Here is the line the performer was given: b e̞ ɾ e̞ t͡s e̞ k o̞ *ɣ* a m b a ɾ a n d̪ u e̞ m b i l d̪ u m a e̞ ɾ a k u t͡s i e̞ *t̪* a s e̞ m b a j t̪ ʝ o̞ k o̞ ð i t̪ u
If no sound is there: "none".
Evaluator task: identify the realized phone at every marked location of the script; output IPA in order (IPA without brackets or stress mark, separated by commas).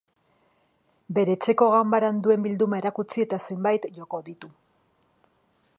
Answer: ɣ, t̪